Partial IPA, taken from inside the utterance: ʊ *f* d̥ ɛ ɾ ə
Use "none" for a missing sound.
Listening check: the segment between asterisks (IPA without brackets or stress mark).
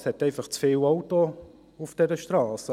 f